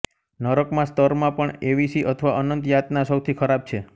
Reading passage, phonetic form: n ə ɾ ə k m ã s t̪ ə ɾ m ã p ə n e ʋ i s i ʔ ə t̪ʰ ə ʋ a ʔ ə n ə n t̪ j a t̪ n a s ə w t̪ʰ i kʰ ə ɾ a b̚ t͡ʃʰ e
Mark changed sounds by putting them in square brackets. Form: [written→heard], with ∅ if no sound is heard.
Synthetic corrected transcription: n ə ɾ ə k m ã s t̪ ə ɾ m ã p ə [n→ɳ] e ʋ i s i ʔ ə t̪ʰ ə ʋ a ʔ ə n ə n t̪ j a t̪ n a s ə w t̪ʰ i kʰ ə ɾ a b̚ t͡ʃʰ e